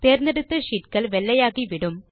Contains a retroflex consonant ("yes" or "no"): yes